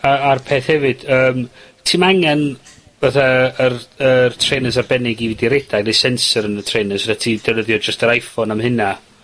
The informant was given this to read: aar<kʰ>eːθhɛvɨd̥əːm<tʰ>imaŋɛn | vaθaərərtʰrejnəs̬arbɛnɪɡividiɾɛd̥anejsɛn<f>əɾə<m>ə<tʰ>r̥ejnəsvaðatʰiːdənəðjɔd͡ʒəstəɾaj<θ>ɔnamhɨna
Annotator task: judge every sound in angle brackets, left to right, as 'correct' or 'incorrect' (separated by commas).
incorrect, correct, incorrect, incorrect, correct, incorrect